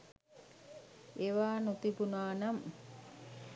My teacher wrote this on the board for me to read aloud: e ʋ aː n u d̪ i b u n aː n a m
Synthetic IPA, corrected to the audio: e ʋ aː n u t̪ i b u n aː n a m